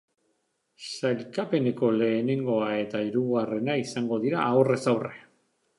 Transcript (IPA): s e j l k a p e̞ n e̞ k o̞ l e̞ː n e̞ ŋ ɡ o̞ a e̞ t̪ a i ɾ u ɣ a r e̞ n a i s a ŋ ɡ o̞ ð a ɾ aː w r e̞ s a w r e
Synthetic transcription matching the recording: s a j l k a p e̞ n e̞ k o̞ l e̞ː n e̞ ŋ ɡ o̞ a e̞ t̪ a i ɾ u ɣ a r e̞ n a i s a ŋ ɡ o̞ ð i ɾ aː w r e̞ s a w r e